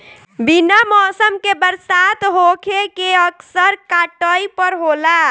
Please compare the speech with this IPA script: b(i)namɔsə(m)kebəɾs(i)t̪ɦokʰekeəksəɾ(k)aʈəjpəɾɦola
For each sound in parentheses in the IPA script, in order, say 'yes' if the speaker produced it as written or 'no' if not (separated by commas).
yes, yes, no, yes